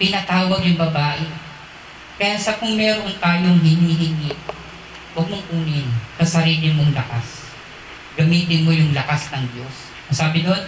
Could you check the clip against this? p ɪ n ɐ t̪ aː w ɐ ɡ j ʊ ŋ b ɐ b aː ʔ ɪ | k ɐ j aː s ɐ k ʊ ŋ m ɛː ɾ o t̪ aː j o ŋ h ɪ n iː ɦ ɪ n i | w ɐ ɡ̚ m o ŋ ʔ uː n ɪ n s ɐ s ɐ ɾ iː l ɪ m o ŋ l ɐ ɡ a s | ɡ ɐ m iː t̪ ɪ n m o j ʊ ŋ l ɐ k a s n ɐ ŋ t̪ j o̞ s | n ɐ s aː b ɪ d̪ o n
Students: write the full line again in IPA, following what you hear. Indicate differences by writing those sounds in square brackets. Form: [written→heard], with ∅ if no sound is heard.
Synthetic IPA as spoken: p ɪ n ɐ t̪ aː w ɐ ɡ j ʊ ŋ b ɐ b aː ʔ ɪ | k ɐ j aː s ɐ k ʊ ŋ m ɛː ɾ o t̪ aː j o ŋ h ɪ n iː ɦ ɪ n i | w ɐ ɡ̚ m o ŋ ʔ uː n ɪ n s ɐ s ɐ ɾ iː l ɪ m o ŋ l ɐ [ɡ→k] a s | ɡ ɐ m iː t̪ ɪ n m o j ʊ ŋ l ɐ k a s n ɐ ŋ [t̪→d̪] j o̞ s | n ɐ s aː b ɪ d̪ o n